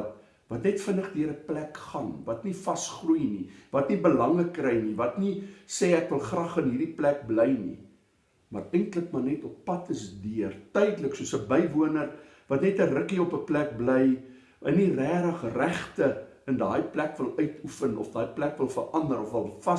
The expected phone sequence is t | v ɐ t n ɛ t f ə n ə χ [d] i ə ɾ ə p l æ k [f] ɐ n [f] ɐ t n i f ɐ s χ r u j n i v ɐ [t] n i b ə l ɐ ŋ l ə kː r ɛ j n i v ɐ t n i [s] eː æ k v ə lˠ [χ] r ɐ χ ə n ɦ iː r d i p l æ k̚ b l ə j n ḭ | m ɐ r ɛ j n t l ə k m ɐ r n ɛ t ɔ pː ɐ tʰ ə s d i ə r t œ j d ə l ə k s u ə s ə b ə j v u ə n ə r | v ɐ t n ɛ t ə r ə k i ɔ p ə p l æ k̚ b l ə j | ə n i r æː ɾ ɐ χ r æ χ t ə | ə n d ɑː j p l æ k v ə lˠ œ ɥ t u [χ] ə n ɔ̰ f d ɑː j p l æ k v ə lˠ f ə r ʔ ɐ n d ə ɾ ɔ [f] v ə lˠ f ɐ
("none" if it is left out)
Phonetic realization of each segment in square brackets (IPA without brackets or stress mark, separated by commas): d, χ, v, t, s, χ, f, f